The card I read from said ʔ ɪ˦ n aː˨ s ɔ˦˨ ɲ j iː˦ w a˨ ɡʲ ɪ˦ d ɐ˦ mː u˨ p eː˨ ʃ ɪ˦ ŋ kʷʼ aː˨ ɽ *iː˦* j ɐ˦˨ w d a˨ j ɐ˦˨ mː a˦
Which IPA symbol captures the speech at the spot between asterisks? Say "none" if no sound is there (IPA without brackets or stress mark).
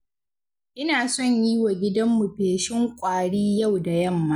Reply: iː˦